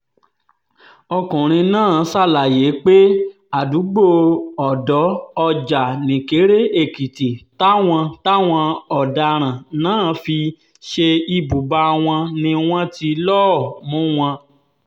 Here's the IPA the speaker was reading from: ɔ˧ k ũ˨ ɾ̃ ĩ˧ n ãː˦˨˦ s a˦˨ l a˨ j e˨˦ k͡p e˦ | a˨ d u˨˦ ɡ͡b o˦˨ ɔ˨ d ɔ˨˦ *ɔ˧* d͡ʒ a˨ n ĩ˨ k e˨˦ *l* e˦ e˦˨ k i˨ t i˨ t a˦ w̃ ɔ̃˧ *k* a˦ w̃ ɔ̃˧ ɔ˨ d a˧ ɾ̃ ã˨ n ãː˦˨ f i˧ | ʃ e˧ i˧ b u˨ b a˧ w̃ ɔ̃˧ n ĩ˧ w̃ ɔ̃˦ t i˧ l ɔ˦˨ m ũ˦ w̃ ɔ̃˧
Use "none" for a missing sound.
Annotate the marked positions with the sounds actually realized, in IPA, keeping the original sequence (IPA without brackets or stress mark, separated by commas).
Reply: ɔ˧, ɾ, t